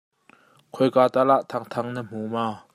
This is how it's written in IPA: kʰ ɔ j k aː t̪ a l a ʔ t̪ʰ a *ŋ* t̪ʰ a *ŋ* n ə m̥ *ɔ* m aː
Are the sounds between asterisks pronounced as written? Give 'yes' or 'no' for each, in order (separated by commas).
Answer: yes, yes, no